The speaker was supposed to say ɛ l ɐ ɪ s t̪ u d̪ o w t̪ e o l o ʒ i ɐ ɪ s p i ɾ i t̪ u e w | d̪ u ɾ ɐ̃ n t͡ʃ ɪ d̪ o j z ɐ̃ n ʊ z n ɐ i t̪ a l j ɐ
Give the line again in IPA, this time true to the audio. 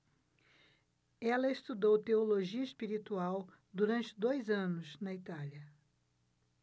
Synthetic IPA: ɛ l ɐ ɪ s t̪ u d̪ o w t̪ e o l o ʒ i ɐ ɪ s p i ɾ i t̪ u a w | d̪ u ɾ ɐ̃ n t͡ʃ ɪ d̪ o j z ɐ̃ n ʊ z n ɐ i t̪ a l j ɐ